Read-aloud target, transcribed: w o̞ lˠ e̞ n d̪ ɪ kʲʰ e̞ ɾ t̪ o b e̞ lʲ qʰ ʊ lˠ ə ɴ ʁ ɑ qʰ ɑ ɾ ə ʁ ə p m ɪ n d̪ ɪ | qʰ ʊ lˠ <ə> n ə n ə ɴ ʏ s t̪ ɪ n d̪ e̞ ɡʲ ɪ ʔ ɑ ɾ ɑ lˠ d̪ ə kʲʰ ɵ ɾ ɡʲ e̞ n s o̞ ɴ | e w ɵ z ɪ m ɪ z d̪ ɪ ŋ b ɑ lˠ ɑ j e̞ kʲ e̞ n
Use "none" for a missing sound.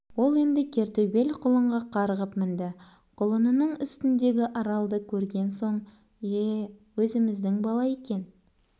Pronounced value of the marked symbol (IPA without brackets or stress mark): ə